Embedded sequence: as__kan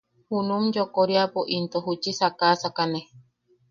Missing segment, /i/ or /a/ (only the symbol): a